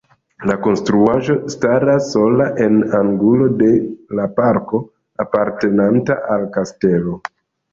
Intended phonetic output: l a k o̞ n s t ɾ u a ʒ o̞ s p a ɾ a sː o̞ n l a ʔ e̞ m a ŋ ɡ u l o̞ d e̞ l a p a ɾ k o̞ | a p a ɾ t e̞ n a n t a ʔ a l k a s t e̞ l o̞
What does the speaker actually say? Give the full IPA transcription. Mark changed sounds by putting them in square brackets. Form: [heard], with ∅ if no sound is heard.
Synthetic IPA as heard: l a k o̞ n s t ɾ u a ʒ o̞ s [t] a ɾ a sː o̞ [∅] l a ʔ e̞ [n] a ŋ ɡ u l o̞ d e̞ l a p a ɾ k o̞ | a p a ɾ t e̞ n a n t a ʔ a l k a s t e̞ l o̞

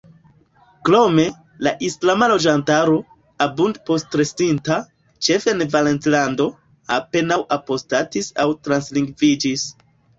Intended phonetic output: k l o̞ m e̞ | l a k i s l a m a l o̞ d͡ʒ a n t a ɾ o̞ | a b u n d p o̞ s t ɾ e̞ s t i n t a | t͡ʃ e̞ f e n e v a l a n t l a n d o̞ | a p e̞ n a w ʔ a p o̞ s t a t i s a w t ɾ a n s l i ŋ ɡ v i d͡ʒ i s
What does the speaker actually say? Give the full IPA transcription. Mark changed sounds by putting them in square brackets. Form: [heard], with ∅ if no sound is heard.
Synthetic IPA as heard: k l o̞ m e̞ | l a [ʔ] i s l a m a l o̞ d͡ʒ a n t a ɾ o̞ | a b u n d p o̞ s t ɾ e̞ s t i n t a | t͡ʃ e̞ f e n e v a l [e] n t l a n d o̞ | a p e̞ n a w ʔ a p o̞ s t a t i s a w t ɾ a n s l i ŋ ɡ v i d͡ʒ i s

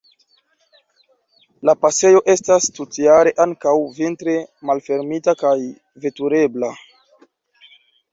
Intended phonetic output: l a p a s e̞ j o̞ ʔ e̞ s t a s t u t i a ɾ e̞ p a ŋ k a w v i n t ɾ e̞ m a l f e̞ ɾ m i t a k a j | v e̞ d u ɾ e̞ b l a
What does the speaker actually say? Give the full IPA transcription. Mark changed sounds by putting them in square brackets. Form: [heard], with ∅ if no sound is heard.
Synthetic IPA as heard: l a p a s e̞ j o̞ ʔ e̞ s t a s t u t i a ɾ e̞ [ʔ] a ŋ k a w v i n t ɾ e̞ m a l f e̞ ɾ m i t a k a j | v e̞ [t] u ɾ e̞ b l a

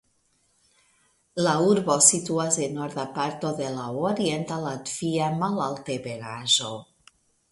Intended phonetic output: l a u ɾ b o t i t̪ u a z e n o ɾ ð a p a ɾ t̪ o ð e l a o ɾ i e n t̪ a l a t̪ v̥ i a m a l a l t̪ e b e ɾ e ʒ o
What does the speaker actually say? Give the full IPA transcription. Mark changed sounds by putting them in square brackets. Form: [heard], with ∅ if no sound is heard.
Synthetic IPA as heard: l a u ɾ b o [s] i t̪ u a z e n o ɾ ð a p a ɾ t̪ o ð e l a o ɾ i e n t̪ a l a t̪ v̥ i a m a l a l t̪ e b e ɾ [a] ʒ o

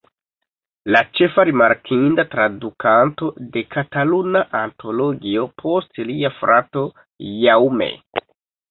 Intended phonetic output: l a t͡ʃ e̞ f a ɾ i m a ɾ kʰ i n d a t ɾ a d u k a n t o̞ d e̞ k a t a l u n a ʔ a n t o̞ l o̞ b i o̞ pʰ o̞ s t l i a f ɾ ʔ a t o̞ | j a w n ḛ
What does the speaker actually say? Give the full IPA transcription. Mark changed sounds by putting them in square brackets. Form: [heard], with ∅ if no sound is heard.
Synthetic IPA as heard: l a t͡ʃ e̞ f a ɾ i m a ɾ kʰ i n d a t ɾ a d u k a n t o̞ d e̞ k a t a l u n a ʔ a n t o̞ l o̞ [ɡ] i o̞ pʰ o̞ s t l i a f ɾ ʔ a t o̞ | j a w [m] ḛ

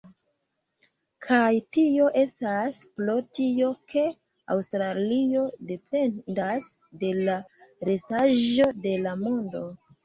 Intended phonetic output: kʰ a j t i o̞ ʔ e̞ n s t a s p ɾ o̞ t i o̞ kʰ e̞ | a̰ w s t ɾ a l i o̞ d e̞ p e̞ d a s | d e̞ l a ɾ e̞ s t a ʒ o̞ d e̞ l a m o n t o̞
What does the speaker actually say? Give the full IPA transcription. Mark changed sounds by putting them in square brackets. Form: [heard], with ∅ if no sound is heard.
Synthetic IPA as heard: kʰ a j t i o̞ ʔ e̞ [∅] s t a s p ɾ o̞ t i o̞ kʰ e̞ | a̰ w s t ɾ a l i o̞ d e̞ p e̞ d a s | d e̞ l a ɾ e̞ s t a ʒ o̞ d e̞ l a m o n [d] o̞

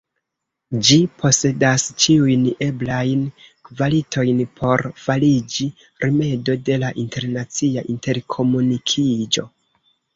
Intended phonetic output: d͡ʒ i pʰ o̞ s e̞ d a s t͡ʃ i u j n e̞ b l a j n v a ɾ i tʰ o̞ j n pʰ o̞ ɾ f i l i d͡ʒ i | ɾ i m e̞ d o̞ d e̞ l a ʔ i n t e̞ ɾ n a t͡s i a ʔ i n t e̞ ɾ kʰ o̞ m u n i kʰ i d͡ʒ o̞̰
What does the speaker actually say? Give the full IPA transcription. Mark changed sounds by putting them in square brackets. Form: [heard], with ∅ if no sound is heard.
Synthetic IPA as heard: d͡ʒ i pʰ o̞ s e̞ d a s t͡ʃ i u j n e̞ b l a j n v a [l] i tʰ o̞ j n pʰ o̞ ɾ f [a] l i d͡ʒ i | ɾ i m e̞ d o̞ d e̞ l a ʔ i n t e̞ ɾ n a t͡s i a ʔ i n t e̞ ɾ kʰ o̞ m u n i kʰ i d͡ʒ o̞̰

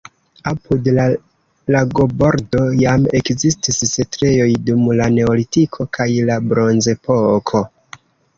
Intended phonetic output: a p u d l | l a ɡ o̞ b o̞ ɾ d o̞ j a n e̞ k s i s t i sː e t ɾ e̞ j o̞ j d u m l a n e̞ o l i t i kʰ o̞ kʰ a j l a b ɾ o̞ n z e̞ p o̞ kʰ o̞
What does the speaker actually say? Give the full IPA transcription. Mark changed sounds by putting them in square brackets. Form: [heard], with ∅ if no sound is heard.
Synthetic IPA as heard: a p u d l | l a ɡ o̞ b o̞ ɾ d o̞ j a [m] e̞ k [z] i s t i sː e t ɾ e̞ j o̞ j d u m l a n e̞ o l i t i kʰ o̞ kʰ a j l a b ɾ o̞ n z e̞ p o̞ kʰ o̞

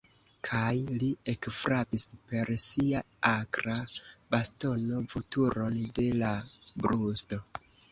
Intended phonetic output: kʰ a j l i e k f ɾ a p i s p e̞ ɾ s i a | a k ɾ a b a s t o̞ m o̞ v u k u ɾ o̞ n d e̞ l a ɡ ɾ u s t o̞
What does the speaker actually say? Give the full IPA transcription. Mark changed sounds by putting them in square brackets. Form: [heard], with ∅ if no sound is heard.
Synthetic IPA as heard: kʰ a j l i e k f ɾ a p i s p e̞ ɾ s i a | a k ɾ a b a s t o̞ [n] o̞ v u [t] u ɾ o̞ n d e̞ l a [b] ɾ u s t o̞

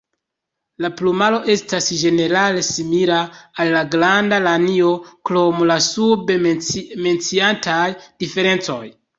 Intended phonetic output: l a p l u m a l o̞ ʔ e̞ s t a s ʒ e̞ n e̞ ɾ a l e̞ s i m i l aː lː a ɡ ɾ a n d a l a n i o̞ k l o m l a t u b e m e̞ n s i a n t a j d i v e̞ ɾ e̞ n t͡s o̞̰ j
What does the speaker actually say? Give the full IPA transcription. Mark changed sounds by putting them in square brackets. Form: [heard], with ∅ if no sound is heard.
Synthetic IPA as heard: l a p l u m a l o̞ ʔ e̞ s t a s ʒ e̞ n e̞ ɾ a l e̞ s i m i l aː lː a ɡ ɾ a n d a l a n i o̞ k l o m l a [s] u b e m e̞ n [t͡s] i a n t a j d i [f] e̞ ɾ e̞ n t͡s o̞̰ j

